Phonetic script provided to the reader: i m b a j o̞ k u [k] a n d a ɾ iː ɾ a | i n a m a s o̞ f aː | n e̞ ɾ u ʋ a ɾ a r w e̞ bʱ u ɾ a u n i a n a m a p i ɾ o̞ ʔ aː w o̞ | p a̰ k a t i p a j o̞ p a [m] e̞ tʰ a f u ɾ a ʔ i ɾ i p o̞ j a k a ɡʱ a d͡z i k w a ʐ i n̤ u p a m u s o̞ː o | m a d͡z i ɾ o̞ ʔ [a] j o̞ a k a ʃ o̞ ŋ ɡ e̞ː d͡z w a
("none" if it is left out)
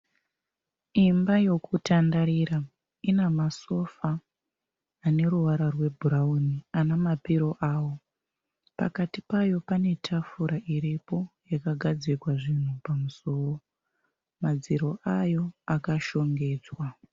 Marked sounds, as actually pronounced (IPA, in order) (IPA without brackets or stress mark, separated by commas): t, n, a